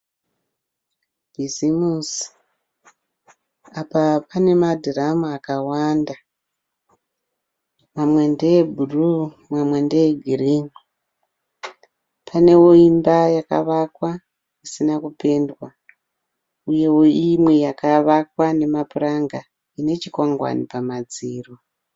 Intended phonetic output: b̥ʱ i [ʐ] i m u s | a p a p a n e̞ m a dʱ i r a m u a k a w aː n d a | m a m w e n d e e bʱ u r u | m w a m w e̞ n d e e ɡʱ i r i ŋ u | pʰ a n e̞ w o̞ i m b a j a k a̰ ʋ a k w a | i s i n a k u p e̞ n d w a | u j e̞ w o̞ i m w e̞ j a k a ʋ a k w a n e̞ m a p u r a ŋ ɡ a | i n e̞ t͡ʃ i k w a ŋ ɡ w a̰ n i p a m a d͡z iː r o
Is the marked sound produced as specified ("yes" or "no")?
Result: no